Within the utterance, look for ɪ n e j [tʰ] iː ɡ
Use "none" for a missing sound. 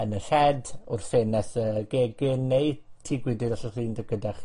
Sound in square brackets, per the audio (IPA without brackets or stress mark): tʰ